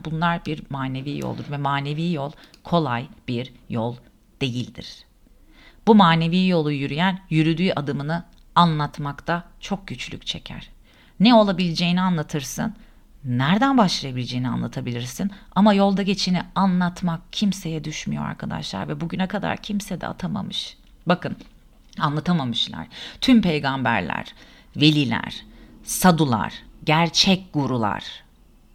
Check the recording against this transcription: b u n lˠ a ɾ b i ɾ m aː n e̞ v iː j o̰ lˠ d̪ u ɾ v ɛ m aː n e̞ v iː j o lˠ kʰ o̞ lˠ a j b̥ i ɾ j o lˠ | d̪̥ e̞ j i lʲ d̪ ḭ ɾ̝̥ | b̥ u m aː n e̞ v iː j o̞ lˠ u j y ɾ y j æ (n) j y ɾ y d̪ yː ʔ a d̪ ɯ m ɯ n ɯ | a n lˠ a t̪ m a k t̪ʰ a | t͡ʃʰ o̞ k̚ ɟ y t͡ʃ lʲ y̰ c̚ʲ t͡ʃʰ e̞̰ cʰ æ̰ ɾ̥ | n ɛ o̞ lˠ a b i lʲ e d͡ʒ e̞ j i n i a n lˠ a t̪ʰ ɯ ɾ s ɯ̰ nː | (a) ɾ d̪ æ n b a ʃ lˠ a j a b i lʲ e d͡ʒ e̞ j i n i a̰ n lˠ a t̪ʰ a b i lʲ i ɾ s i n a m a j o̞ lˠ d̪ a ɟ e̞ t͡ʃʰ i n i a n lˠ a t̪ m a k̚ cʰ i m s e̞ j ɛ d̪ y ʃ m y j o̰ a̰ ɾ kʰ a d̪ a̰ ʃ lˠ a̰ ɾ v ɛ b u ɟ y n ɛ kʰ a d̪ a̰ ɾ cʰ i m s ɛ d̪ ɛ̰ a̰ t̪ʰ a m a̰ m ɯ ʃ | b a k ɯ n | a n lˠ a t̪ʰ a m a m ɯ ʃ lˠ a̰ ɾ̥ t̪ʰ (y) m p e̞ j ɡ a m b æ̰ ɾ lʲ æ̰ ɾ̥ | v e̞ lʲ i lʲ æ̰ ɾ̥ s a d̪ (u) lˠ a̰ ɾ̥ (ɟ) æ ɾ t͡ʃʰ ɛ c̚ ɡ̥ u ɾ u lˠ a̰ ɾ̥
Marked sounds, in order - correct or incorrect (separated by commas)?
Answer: correct, incorrect, correct, correct, correct